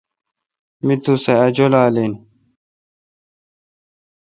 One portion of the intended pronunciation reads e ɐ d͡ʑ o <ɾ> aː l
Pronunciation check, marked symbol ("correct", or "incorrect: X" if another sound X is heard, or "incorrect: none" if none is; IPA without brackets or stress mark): incorrect: l